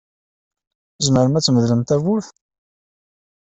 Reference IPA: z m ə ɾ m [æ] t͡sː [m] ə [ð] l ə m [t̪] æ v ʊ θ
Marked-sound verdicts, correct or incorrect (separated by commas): correct, correct, correct, correct